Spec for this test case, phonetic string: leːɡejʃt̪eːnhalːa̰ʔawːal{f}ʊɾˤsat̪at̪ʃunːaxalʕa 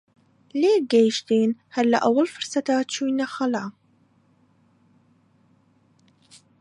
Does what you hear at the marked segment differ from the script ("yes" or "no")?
no